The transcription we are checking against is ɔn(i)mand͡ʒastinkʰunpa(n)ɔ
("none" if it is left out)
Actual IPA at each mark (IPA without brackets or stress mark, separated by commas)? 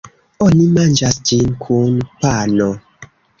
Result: i, n